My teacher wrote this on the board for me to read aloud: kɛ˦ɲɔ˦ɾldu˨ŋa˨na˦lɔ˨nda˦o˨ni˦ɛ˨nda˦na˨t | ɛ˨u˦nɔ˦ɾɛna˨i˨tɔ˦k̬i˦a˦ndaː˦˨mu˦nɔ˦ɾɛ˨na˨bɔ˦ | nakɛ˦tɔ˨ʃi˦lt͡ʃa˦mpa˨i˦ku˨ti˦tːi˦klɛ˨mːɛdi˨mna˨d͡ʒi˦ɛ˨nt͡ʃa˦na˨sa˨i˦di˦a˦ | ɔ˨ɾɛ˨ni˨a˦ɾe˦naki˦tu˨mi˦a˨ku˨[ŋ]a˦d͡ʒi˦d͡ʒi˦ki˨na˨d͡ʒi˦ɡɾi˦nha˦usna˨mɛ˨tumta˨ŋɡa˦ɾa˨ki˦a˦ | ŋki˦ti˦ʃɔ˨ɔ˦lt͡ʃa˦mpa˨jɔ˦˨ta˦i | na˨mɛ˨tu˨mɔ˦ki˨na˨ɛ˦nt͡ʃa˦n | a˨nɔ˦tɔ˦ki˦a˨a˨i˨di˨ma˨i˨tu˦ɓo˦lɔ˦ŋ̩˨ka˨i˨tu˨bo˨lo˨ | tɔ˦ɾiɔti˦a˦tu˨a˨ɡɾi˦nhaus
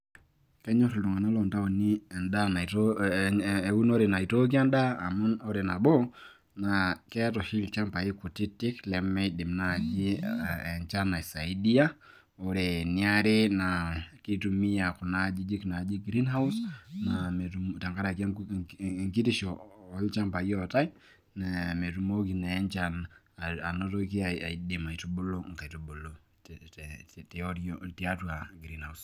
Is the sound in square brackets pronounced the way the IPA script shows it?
no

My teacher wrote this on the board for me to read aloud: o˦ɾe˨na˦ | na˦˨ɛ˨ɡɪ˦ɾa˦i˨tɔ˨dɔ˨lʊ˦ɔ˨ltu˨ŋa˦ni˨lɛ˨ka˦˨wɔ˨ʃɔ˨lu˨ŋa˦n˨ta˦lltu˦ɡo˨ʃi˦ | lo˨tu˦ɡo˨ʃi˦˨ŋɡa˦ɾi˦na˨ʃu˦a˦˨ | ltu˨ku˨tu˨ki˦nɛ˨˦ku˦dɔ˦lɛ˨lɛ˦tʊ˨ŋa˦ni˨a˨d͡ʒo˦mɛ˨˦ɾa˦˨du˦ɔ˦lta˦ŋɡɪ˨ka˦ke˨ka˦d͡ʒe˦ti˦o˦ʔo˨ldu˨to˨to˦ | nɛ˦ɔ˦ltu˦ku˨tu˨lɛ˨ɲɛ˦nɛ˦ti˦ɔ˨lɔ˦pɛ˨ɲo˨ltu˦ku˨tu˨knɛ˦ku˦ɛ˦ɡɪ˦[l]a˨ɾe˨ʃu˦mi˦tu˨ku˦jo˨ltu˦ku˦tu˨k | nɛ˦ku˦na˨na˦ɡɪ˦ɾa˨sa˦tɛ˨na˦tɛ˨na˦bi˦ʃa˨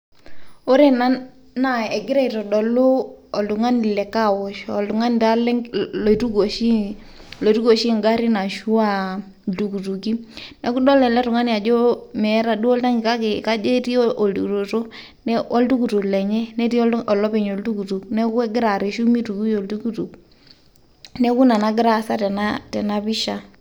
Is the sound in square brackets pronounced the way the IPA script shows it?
no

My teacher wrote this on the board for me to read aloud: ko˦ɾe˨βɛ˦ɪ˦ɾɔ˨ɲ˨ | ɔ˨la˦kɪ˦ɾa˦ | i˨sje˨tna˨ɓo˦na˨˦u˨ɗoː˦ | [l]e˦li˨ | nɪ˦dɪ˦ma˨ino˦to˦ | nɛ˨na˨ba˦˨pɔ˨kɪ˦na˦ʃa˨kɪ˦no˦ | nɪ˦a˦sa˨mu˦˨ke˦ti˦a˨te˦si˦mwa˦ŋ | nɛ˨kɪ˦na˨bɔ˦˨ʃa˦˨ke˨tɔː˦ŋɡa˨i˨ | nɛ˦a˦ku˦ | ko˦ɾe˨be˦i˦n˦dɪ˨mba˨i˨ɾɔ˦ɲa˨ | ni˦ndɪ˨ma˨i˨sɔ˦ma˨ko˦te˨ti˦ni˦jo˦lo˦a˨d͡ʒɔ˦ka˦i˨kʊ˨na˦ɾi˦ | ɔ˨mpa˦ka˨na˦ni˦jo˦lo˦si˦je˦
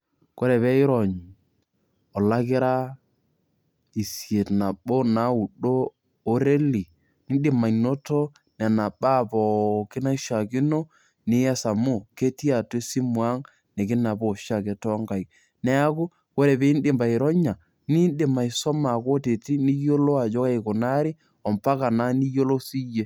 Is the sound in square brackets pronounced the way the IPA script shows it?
no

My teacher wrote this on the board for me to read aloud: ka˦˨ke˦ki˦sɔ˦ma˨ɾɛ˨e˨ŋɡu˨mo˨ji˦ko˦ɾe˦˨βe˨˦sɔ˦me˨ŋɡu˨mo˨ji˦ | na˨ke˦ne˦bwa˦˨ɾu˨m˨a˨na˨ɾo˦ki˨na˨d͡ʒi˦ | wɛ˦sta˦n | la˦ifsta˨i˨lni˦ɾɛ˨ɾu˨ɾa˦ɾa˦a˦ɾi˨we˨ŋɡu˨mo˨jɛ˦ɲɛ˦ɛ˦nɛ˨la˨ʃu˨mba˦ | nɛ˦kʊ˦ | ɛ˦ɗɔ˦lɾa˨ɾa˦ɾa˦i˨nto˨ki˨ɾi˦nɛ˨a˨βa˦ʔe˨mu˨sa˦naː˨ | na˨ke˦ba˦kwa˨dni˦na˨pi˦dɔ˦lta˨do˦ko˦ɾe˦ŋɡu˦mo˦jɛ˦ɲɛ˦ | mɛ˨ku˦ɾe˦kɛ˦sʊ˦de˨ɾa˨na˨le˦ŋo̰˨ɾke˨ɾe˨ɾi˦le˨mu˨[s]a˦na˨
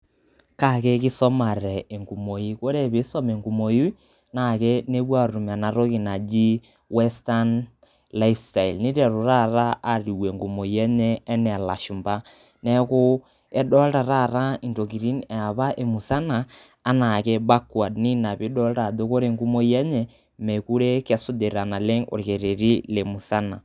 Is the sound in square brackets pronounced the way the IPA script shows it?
yes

